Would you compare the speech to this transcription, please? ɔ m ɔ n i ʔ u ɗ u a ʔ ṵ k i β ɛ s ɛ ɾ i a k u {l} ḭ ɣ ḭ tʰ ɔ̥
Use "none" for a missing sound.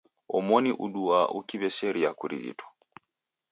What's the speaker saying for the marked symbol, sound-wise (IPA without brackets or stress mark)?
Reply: ɾ